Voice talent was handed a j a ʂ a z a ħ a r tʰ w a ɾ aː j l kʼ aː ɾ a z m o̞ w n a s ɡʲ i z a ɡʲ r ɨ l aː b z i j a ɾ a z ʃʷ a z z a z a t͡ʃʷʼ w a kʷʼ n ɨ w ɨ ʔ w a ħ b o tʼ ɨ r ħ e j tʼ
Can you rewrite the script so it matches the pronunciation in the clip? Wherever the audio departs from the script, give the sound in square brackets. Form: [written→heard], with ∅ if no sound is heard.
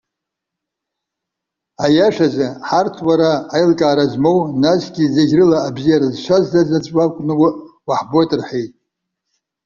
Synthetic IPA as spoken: a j a ʂ a z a ħ a r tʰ w a ɾ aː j l kʼ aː ɾ a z m o̞ w n a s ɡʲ i z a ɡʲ r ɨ l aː b z i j a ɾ a z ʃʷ a z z a z a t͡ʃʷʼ w a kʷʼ n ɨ w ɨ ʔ w a ħ b o tʼ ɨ r ħ e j tʼ

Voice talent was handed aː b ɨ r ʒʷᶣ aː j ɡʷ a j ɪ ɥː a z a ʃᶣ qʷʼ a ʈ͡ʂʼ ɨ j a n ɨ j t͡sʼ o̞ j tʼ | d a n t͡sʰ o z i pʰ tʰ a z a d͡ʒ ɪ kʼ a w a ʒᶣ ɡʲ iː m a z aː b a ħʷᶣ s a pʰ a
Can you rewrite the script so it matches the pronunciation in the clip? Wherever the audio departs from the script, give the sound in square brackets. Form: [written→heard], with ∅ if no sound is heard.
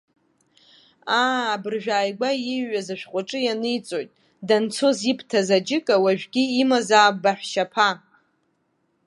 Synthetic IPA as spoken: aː b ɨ r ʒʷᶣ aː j ɡʷ a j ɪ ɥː a z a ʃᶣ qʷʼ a ʈ͡ʂʼ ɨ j a n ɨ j t͡sʼ o̞ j tʼ | d a n t͡sʰ o z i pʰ tʰ a z a d͡ʒ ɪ kʼ a w a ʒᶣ ɡʲ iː m a z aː b a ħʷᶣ [s→ʃ] a pʰ a

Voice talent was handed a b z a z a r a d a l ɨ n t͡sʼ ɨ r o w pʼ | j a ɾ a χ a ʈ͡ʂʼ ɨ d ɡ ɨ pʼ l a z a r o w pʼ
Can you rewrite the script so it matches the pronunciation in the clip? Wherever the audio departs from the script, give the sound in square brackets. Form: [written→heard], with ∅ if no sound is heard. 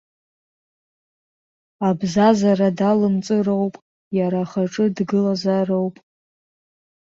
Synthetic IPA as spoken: a b z a z a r a d a l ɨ [n→m] t͡sʼ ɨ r o w pʼ | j a ɾ a χ a ʈ͡ʂʼ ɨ d ɡ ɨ [pʼ→∅] l a z a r o w pʼ

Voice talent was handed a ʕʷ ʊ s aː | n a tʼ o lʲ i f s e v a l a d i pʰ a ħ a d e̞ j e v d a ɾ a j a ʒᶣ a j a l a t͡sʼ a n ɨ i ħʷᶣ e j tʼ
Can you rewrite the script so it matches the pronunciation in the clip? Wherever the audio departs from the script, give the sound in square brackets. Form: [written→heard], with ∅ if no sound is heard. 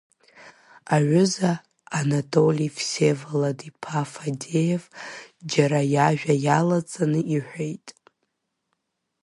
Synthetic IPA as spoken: a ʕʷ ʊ [s→z] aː | n a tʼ o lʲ i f s e v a l a d i pʰ a [ħ→f] a d e̞ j e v [d→d͡ʒ] a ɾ a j a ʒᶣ a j a l a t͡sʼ a n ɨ i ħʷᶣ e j tʼ

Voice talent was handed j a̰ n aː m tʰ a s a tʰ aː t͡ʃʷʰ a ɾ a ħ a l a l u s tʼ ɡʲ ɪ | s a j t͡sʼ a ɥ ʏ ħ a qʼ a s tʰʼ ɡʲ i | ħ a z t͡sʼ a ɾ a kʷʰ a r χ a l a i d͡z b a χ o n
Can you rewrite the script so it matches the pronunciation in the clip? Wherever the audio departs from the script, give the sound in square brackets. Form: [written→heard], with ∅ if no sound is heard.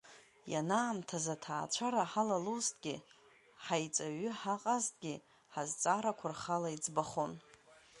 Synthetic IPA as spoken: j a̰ n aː m tʰ a [s→z] a tʰ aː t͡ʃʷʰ a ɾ a ħ a l a l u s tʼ ɡʲ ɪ | [s→ħ] a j t͡sʼ a ɥ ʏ ħ a qʼ a [s→z] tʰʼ ɡʲ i | ħ a z t͡sʼ a ɾ a kʷʰ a r χ a l a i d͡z b a χ o n

